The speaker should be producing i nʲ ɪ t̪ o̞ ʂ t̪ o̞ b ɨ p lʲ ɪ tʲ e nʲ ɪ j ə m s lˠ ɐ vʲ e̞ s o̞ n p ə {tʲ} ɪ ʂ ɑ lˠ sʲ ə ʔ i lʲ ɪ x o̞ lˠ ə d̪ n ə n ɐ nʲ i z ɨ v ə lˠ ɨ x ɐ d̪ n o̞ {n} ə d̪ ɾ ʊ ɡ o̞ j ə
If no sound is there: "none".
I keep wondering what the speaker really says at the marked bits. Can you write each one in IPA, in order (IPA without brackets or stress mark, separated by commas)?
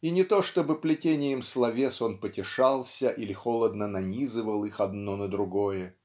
tʲ, n